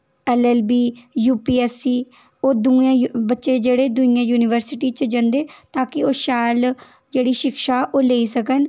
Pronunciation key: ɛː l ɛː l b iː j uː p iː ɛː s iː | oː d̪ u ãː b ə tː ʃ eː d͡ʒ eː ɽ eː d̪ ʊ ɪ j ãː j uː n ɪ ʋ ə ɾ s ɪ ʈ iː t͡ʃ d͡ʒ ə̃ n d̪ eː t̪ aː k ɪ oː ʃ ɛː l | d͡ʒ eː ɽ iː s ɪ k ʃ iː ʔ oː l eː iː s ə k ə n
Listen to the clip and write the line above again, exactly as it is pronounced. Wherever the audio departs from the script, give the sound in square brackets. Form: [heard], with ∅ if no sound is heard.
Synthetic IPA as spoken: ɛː l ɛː l b iː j uː p iː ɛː s iː | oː d̪ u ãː b ə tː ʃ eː d͡ʒ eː ɽ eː d̪ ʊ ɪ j ãː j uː n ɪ ʋ ə ɾ s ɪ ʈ iː t͡ʃ d͡ʒ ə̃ n d̪ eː t̪ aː k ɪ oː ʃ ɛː l | d͡ʒ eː ɽ iː [ʃ] ɪ k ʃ [aː] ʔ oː l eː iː s ə k ə n